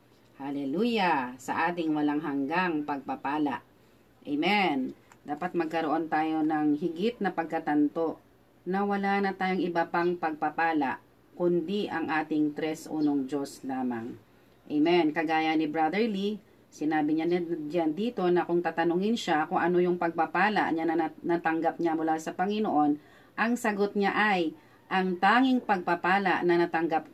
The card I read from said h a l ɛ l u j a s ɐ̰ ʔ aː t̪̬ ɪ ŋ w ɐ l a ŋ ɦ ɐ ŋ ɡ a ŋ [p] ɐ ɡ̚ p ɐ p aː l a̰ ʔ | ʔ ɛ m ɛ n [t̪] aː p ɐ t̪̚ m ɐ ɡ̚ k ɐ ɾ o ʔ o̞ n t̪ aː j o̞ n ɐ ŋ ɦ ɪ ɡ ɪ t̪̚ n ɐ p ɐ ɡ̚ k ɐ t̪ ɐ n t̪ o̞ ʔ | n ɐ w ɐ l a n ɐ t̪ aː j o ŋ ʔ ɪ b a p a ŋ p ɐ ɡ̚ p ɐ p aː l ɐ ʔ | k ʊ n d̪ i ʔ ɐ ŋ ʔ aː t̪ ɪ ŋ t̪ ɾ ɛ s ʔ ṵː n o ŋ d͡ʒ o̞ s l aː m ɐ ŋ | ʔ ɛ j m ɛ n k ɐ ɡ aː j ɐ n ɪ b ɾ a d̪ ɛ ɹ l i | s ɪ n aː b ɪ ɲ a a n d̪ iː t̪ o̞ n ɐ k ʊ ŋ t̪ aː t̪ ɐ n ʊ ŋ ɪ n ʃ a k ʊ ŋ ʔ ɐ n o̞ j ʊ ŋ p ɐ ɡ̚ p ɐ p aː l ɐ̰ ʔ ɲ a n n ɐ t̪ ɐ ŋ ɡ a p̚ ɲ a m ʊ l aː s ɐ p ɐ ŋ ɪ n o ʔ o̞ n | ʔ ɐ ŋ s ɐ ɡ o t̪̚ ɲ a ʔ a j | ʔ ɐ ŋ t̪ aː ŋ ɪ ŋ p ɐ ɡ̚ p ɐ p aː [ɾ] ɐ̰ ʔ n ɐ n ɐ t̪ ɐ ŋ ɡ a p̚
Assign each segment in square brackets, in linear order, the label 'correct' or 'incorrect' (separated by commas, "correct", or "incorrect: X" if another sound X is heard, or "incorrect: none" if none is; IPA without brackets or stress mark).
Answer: correct, incorrect: d̪, incorrect: l